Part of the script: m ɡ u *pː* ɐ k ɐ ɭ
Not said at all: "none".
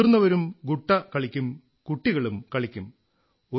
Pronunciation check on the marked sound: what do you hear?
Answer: ʈː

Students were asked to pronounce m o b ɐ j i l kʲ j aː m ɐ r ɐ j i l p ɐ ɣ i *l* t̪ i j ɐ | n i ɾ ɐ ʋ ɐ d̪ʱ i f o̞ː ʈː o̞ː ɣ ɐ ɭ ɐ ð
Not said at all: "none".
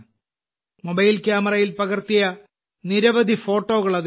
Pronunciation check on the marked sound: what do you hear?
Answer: r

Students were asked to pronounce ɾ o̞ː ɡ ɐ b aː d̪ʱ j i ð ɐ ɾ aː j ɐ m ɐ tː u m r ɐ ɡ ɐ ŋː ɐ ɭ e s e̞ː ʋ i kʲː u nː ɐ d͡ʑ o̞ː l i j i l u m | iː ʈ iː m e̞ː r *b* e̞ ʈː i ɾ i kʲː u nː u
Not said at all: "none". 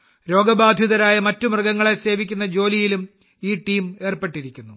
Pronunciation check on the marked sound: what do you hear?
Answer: p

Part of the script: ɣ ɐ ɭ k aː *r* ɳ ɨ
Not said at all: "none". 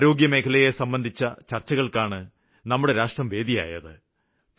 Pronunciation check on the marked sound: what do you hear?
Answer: none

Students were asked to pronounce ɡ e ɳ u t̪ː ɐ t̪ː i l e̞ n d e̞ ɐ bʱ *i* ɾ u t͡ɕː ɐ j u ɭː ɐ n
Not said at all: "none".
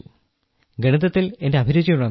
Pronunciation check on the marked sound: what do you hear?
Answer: i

